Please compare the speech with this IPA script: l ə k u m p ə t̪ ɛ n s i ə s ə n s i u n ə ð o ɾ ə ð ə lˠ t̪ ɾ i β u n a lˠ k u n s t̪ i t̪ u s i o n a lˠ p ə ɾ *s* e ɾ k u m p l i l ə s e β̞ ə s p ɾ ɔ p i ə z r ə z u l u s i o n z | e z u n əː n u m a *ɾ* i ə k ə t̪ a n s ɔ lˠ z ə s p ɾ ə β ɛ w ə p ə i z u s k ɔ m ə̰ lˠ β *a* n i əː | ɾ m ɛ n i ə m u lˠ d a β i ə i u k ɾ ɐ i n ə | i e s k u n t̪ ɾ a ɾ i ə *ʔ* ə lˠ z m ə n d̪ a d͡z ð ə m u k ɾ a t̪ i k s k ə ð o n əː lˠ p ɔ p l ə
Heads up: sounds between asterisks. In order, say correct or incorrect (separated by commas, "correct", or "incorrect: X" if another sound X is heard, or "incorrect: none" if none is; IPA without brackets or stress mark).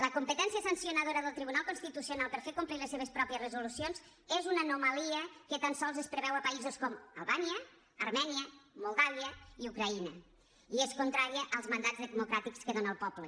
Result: incorrect: f, incorrect: l, correct, correct